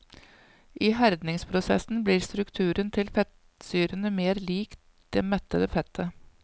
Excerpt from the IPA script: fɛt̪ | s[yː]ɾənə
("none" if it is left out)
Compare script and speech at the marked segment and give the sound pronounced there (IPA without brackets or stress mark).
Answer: yː